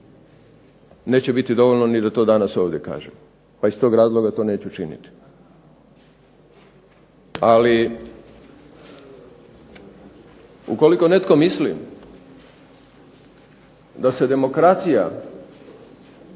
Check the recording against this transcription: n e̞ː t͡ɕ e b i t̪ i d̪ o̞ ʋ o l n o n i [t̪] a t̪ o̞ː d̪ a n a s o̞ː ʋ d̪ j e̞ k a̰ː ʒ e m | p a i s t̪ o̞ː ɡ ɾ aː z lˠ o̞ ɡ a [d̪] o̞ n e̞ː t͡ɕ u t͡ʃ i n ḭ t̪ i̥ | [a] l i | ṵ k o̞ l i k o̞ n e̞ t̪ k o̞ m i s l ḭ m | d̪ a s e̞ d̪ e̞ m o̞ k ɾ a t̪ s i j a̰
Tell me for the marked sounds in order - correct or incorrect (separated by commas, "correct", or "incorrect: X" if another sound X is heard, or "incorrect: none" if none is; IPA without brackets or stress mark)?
incorrect: d̪, incorrect: t̪, correct